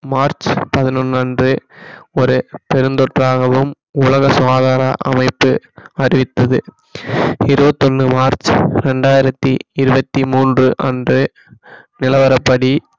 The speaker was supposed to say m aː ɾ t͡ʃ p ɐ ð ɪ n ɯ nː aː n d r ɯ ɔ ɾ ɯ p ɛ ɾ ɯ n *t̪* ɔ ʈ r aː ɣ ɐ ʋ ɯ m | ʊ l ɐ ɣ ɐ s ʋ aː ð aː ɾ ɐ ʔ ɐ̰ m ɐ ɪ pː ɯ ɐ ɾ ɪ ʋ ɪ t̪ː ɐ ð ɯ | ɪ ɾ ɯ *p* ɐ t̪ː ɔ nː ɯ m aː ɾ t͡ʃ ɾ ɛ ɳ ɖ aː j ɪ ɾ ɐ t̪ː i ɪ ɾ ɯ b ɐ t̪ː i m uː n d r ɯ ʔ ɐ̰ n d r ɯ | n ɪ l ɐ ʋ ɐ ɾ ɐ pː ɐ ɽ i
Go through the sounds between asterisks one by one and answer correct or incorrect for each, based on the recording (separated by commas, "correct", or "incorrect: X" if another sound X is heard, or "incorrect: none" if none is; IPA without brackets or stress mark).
incorrect: d̪, incorrect: b